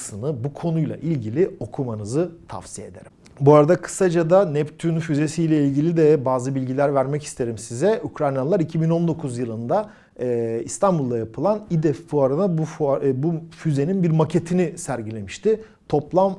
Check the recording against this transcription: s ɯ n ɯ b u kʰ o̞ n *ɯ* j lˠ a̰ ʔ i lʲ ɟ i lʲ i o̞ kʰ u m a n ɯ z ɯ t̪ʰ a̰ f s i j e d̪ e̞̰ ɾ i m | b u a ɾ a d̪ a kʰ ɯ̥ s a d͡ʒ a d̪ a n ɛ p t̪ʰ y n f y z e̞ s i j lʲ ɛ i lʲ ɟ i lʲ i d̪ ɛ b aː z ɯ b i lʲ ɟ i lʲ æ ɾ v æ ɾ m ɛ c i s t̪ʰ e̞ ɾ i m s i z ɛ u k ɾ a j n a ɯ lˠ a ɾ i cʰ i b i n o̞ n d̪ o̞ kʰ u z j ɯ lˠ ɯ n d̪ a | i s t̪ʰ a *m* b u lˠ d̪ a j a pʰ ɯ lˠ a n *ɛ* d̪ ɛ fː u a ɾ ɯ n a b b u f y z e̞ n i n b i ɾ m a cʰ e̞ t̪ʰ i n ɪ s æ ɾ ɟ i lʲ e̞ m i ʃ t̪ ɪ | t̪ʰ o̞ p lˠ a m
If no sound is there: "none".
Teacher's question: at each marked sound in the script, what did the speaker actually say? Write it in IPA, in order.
u, n, i

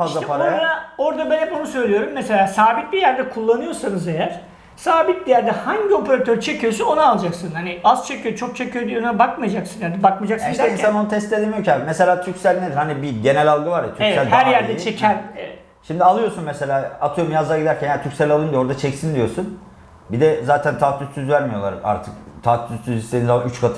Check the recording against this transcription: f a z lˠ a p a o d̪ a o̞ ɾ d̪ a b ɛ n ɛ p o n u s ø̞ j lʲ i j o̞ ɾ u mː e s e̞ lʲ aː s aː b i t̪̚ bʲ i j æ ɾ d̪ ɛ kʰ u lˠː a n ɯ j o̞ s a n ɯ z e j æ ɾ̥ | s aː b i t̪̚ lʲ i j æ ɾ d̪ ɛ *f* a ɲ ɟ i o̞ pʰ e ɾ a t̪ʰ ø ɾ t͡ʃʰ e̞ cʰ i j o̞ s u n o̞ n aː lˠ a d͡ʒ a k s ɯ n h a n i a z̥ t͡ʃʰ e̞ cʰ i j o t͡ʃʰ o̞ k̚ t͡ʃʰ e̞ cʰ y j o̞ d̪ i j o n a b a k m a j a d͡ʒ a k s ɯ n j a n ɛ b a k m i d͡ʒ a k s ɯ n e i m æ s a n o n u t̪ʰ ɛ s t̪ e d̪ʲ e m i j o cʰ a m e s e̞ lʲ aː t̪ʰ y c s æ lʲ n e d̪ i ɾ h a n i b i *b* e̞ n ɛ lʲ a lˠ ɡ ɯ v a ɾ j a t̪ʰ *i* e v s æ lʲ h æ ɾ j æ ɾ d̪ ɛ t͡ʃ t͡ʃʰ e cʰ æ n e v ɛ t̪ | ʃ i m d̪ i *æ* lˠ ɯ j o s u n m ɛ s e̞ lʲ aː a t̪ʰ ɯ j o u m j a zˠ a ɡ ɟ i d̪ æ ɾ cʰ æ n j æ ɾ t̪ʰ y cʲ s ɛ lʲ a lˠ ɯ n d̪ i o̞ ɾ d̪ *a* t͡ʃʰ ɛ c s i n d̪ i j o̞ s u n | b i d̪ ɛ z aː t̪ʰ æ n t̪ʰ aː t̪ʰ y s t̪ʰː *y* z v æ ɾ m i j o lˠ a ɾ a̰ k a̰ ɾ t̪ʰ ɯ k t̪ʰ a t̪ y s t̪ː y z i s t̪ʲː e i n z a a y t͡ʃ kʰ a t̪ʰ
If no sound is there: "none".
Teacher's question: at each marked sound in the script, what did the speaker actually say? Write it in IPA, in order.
h, ɟ, y, a, a, y

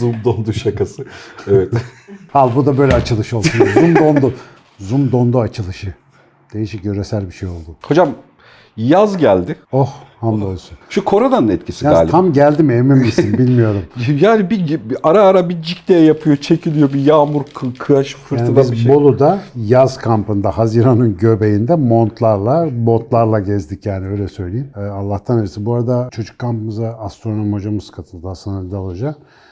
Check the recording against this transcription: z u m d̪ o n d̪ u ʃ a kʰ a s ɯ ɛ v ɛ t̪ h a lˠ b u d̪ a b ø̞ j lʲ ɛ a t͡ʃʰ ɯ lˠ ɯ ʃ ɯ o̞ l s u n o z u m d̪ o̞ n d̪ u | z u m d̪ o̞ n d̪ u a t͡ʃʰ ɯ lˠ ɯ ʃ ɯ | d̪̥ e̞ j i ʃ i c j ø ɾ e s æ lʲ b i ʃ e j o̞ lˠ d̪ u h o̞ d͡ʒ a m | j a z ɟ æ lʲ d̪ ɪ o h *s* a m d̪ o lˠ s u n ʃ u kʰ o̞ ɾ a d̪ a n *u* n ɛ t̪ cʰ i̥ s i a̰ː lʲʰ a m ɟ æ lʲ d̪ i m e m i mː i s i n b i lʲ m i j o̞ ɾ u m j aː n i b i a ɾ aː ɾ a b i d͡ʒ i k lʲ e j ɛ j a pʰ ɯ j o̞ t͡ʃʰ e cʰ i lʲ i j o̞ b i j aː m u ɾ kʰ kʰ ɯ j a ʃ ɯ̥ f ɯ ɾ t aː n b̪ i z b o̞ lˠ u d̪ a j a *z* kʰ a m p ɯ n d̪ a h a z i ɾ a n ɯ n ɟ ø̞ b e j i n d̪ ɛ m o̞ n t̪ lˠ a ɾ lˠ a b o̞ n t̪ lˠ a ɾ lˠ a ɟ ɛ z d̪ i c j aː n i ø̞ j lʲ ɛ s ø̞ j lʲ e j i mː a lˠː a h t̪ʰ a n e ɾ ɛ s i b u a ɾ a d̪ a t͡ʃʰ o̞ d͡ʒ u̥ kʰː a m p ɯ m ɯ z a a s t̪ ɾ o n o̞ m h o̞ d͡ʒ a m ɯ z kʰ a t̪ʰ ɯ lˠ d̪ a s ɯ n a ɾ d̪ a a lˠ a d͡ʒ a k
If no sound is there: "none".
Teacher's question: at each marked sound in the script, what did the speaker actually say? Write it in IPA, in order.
h, ɯ, z

